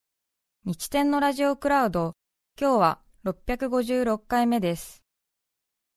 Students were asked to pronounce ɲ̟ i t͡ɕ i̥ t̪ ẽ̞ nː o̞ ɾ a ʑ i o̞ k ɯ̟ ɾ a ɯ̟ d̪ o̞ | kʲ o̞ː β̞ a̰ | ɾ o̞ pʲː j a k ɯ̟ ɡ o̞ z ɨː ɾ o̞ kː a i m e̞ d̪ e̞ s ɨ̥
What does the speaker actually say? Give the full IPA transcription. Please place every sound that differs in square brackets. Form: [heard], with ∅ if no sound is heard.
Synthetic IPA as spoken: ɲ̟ i t͡ɕ i̥ t̪ ẽ̞ nː o̞ ɾ a ʑ i o̞ k ɯ̟ ɾ a ɯ̟ d̪ o̞ | kʲ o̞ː β̞ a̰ | ɾ o̞ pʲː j a k ɯ̟ ɡ o̞ [ʑ] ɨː ɾ o̞ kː a i m e̞ d̪ e̞ s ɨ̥